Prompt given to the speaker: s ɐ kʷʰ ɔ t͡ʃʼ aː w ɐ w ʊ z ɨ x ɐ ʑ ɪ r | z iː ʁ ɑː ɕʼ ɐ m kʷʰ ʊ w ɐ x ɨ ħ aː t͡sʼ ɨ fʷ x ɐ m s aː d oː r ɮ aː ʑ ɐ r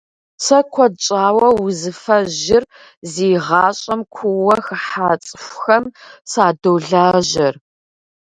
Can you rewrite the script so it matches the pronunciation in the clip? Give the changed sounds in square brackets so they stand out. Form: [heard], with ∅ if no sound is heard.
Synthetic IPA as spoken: s ɐ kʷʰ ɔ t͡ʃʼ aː w ɐ w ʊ z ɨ [f] ɐ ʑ ɪ r | z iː ʁ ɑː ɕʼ ɐ m kʷʰ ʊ w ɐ x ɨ ħ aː t͡sʼ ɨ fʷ x ɐ m s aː d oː [∅] ɮ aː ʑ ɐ r